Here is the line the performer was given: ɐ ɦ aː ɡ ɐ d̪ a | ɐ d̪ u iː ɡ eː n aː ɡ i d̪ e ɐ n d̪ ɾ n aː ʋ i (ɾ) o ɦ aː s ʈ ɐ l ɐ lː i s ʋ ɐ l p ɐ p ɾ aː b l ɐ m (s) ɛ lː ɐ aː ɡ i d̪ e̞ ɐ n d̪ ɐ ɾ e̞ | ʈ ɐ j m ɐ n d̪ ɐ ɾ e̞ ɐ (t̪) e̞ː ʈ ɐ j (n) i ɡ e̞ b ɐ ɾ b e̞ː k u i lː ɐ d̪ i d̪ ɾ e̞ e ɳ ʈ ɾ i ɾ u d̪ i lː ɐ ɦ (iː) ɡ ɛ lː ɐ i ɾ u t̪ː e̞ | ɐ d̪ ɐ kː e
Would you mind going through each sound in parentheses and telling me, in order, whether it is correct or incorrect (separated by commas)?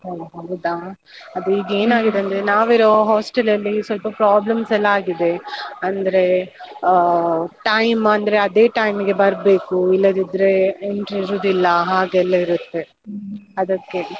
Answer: correct, correct, incorrect, incorrect, incorrect